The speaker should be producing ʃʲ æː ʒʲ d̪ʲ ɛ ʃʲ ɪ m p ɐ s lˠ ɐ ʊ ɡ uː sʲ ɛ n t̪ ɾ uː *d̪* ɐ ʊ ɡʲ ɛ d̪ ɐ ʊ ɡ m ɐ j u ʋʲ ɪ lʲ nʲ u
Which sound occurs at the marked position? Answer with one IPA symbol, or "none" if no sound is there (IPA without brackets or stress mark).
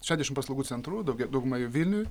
d̪